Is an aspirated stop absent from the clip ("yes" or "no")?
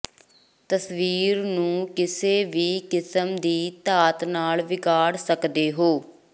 yes